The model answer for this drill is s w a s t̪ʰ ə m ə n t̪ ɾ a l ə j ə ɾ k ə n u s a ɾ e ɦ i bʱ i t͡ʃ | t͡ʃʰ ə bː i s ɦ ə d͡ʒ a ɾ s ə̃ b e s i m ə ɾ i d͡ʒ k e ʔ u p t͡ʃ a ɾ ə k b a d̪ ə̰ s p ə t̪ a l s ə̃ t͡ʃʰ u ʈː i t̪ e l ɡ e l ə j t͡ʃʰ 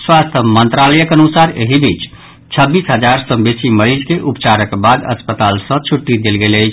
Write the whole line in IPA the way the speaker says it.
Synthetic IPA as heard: s w a s t̪ʰ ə m ə n t̪ ɾ a l ə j ə k ə n u s a ɾ e ɦ i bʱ i t͡ʃ | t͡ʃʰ ə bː i s ɦ ə d͡ʒ a ɾ s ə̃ b e s i m ə ɾ i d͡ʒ k e ʔ u p t͡ʃ a ɾ ə k b a d̪ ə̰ s p ə t̪ a l s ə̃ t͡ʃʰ u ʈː i d̪ e l ɡ e l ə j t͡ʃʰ